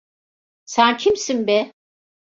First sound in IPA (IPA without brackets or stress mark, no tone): s